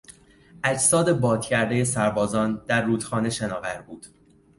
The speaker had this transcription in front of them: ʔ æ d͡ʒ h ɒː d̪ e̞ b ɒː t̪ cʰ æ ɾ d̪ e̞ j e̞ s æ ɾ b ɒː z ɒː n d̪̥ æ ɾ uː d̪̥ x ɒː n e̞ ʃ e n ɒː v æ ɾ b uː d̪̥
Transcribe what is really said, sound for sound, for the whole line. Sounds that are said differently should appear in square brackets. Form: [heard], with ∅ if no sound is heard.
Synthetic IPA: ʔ æ d͡ʒ [s] ɒː d̪ e̞ b ɒː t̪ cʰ æ ɾ d̪ e̞ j e̞ s æ ɾ b ɒː z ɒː n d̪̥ æ [ɾː] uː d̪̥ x ɒː n e̞ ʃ e n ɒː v æ ɾ b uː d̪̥